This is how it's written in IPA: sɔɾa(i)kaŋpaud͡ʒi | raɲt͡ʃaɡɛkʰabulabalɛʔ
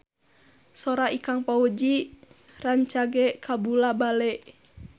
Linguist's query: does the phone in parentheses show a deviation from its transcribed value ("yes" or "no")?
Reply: no